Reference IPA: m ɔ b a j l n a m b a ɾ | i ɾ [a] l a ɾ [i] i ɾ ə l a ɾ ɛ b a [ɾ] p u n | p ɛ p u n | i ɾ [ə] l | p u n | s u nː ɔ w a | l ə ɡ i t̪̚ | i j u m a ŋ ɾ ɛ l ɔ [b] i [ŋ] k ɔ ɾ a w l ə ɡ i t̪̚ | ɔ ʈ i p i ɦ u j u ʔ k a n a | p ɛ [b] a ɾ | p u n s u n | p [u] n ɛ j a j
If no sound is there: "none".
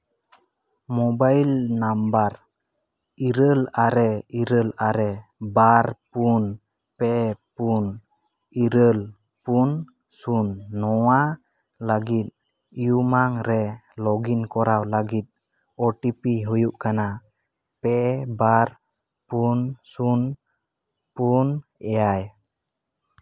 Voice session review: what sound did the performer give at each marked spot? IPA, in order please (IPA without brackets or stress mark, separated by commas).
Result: ə, ɛ, ɾ, ə, ɡ, n, b, u